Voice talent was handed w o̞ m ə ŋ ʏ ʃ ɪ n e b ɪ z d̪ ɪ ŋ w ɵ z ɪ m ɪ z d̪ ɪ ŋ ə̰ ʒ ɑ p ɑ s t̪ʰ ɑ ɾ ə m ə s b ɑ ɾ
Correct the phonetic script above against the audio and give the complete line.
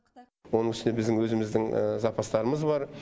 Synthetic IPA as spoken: w o̞ n ə ŋ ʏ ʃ ɪ n e b ɪ z d̪ ɪ ŋ w ɵ z ɪ m ɪ z d̪ ɪ ŋ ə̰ z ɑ p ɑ s t̪ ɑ ɾ ə m ə z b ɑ ɾ